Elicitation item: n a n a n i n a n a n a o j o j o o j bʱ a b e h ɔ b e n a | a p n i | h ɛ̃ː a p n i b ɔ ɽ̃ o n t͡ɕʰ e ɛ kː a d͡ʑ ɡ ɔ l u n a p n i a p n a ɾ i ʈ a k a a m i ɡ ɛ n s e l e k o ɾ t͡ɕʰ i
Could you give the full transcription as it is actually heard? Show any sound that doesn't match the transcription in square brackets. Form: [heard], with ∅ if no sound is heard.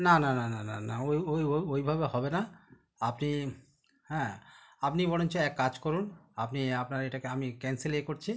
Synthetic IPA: n a n a n [a] n a n a n a o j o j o o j bʱ a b e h ɔ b e n a | a p n i | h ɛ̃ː a p n i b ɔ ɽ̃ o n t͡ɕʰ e ɛ kː a d͡ʑ [k] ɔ [ɾ] u n a p n i a p n a ɾ [e] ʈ a k [e] a m i [k] ɛ n s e l e k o ɾ t͡ɕʰ i